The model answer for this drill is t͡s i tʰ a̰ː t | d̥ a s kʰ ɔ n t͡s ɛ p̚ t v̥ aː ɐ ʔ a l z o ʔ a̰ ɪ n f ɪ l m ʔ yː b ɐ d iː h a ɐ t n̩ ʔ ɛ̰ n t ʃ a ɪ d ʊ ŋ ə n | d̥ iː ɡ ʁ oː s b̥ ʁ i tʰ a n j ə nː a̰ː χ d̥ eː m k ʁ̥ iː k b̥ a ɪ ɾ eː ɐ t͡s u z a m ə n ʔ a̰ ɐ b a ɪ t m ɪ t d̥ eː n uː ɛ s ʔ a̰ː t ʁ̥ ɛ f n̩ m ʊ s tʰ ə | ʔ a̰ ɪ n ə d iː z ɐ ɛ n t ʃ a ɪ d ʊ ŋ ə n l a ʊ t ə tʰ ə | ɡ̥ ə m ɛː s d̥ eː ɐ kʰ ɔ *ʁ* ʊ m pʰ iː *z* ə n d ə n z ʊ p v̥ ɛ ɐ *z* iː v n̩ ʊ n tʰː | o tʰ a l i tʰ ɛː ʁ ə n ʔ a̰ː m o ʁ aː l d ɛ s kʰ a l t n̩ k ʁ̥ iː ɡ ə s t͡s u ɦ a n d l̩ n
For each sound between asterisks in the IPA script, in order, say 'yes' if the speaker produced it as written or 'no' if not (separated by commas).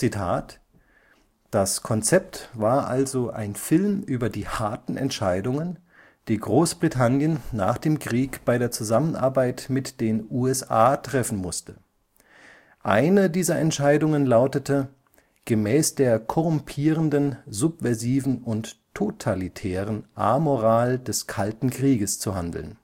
yes, no, yes